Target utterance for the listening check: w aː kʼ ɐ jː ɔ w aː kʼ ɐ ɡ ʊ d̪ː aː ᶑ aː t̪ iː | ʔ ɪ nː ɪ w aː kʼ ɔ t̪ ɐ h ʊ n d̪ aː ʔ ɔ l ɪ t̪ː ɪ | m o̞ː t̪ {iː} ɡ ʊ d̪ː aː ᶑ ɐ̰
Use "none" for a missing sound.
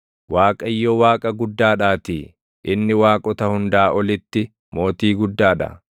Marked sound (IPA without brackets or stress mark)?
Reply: iː